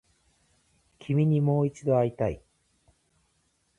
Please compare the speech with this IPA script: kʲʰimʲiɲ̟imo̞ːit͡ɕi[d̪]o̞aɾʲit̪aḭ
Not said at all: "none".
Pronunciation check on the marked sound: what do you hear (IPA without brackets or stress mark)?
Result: d̪